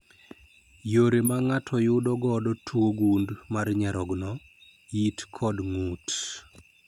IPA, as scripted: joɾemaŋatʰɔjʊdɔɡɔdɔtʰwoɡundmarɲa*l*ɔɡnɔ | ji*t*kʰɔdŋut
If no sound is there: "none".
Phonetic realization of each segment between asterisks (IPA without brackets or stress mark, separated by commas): ɾ, t